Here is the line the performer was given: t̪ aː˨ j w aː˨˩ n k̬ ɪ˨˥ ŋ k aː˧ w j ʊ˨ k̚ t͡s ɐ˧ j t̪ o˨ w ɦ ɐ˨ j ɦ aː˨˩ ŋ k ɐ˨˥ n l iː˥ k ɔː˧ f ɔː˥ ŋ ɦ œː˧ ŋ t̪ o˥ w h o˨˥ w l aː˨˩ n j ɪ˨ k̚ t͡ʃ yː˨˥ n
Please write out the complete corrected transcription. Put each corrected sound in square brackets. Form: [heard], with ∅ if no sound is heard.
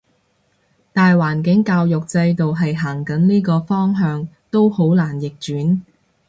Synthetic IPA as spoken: t̪ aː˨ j w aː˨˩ n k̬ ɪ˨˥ ŋ k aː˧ w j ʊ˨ k̚ t͡s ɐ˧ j t̪ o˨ w ɦ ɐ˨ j ɦ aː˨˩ ŋ k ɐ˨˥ n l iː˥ k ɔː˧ f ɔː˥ ŋ ɦ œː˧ ŋ t̪ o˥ w h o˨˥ w l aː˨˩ n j ɪ˨ k̚ t͡ʃ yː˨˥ n